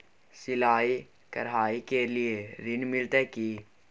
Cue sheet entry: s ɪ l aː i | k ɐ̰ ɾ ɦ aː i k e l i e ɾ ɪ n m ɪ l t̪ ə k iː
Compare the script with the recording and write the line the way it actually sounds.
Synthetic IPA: s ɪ l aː i | k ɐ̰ ɾ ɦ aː i k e l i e ɾ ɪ n m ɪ l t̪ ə k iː